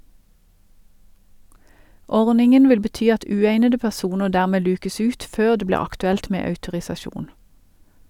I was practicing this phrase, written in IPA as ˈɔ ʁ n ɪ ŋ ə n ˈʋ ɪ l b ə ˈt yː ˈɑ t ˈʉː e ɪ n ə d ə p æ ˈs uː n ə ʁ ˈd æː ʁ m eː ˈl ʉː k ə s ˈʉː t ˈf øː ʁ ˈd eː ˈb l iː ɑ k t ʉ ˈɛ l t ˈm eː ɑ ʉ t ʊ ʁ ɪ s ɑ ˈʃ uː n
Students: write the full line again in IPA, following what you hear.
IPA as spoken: ˈɔ ʁ n ɪ ŋ ə n ˈʋ ɪ l b ə ˈt yː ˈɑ t ˈʉː e ɪ n ə d ə p æ ˈs uː n ə ʁ ˈd æː ʁ m eː ˈl ʉː k ə s ˈʉː t ˈf øː ʁ ˈd eː ˈb l iː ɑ k t ʉ ˈɛ l t ˈm eː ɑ ʉ t ʊ ʁ ɪ s ɑ ˈʃ uː n